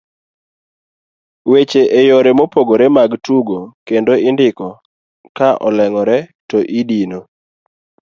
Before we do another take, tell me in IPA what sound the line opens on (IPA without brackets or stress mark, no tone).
w